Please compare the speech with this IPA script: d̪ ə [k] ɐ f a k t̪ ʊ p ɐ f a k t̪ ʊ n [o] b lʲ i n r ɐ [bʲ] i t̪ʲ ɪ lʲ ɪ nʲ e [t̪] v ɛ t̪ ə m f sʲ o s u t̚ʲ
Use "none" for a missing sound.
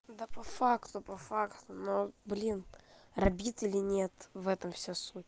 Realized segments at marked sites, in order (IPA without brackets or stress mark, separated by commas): p, o, bʲ, t̪